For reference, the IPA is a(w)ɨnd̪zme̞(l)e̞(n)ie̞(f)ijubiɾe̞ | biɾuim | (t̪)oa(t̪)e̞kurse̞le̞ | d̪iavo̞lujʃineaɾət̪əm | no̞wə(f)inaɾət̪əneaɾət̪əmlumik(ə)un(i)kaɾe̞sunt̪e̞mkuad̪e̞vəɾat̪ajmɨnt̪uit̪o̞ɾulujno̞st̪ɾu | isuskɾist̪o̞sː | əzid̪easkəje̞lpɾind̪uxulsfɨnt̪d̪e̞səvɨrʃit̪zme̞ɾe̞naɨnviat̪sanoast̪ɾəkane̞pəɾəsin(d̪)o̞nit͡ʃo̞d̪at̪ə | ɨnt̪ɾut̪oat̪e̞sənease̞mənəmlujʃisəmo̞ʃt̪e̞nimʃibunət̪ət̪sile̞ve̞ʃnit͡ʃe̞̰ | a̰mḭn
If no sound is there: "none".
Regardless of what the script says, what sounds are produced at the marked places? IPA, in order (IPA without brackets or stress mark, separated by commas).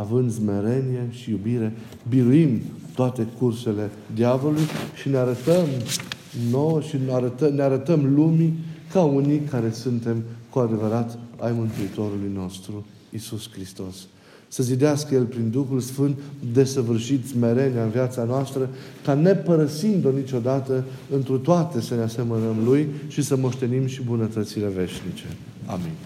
v, ɾ, n, ʃ, t̪, t̪, ʃ, a, i, d̪